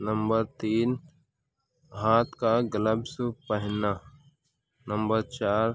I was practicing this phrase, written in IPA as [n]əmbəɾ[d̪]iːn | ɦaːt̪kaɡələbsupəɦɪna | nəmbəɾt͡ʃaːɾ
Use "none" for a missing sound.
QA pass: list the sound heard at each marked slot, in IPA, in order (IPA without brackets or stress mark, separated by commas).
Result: n, t̪